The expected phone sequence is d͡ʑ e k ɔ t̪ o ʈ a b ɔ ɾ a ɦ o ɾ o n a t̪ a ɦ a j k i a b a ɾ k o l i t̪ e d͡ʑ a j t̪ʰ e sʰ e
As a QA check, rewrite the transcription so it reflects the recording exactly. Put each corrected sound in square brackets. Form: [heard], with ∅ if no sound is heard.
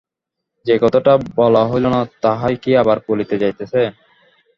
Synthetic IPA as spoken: d͡ʑ e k ɔ t̪ o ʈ a b ɔ [l] a ɦ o [l] o n a t̪ a ɦ a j k i a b a ɾ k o l i t̪ e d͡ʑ a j [t̪] e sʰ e